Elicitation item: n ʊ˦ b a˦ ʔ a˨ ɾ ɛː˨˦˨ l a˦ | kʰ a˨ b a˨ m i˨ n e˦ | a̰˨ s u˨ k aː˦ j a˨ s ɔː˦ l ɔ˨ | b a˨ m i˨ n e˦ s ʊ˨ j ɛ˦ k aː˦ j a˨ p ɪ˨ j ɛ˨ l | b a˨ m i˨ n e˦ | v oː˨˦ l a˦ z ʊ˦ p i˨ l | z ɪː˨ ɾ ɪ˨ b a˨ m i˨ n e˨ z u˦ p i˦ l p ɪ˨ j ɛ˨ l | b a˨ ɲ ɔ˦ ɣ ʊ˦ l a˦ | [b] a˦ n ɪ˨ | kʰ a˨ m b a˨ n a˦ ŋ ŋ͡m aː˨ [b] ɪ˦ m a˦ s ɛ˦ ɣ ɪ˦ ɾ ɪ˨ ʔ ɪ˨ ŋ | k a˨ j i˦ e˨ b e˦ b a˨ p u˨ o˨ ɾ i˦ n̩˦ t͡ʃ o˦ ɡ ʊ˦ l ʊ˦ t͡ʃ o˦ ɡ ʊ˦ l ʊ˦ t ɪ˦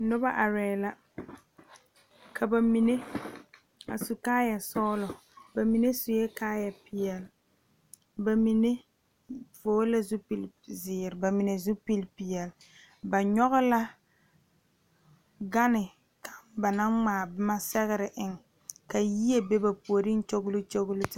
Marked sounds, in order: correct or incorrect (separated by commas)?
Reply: incorrect, correct